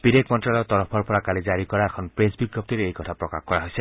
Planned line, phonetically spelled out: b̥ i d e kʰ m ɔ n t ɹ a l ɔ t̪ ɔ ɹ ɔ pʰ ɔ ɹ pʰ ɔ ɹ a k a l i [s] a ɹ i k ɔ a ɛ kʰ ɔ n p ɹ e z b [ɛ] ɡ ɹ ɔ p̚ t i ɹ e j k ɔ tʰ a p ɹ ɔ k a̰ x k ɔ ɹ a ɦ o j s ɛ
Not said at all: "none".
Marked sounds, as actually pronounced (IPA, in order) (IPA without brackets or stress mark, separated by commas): z, i